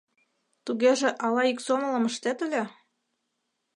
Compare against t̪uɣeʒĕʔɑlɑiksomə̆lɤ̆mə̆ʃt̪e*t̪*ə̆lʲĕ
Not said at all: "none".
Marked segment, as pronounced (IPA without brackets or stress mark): t̪